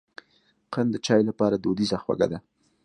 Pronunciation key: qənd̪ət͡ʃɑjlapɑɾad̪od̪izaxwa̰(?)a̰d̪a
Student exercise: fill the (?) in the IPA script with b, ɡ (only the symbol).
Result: ɡ